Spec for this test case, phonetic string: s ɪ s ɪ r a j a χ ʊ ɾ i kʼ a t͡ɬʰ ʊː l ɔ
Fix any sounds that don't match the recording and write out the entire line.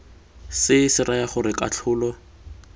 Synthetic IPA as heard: s ɪ s ɪ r a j a χ ʊ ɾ ɪ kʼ a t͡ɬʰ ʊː l ɔ